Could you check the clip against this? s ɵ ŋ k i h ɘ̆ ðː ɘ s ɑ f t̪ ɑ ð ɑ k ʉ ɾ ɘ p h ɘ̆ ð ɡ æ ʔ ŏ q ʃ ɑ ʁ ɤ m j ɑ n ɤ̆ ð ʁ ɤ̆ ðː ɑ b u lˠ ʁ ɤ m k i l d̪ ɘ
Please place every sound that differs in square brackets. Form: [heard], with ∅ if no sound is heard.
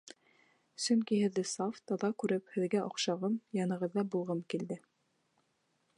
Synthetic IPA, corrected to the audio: s ɵ ŋ k i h ɘ̆ ðː ɘ s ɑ f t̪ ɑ ð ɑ k ʉ ɾ ɘ p h ɘ̆ ð ɡ æ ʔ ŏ q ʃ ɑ ʁ ɤ m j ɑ n ɤ̆ [∅] ʁ ɤ̆ ðː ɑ b u lˠ ʁ ɤ m k i l d̪ ɘ